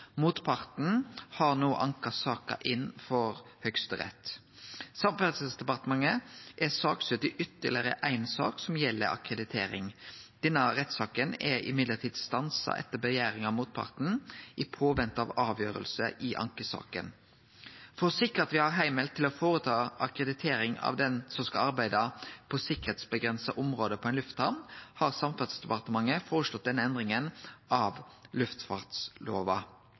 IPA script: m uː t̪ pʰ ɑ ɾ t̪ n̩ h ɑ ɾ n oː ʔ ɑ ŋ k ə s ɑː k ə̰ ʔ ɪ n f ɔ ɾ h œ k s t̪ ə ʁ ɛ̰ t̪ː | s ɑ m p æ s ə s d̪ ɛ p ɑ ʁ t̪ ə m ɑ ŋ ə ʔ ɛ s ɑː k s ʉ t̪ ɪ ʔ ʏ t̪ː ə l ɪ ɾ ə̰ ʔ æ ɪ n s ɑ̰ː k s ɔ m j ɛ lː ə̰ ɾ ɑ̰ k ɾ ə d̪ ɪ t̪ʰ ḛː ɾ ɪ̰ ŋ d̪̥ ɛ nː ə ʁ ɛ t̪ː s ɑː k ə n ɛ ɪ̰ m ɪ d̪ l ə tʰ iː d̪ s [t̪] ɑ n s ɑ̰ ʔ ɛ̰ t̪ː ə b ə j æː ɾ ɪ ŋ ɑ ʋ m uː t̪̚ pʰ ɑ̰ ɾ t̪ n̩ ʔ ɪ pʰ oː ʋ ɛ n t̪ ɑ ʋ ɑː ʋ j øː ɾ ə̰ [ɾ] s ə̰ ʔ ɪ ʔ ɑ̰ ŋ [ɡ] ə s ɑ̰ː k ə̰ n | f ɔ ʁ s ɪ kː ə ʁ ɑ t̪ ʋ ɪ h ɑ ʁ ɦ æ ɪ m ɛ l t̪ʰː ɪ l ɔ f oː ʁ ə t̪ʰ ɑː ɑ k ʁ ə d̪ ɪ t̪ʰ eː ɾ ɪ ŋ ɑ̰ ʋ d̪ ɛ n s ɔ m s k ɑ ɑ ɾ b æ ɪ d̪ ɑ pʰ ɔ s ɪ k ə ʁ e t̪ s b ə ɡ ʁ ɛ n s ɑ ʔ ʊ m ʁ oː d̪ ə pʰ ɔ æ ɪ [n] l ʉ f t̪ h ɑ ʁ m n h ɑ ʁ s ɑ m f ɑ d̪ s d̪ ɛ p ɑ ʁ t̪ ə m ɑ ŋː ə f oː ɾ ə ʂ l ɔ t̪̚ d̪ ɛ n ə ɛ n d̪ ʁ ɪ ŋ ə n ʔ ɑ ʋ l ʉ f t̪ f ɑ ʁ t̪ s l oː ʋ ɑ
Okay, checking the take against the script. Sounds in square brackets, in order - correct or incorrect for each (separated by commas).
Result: correct, incorrect, incorrect, correct